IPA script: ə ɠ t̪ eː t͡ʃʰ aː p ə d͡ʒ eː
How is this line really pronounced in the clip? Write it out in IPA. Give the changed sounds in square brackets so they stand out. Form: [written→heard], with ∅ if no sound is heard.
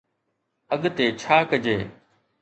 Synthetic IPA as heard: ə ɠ t̪ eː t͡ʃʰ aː [p→k] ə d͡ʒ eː